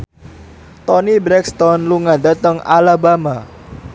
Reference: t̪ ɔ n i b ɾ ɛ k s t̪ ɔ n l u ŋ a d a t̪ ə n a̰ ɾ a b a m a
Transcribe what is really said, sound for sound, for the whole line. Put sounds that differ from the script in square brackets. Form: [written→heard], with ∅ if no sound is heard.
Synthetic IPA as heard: t̪ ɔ n i b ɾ ɛ k s t̪ ɔ n l u ŋ a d a t̪ ə [n→ŋ] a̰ [ɾ→l] a b a m a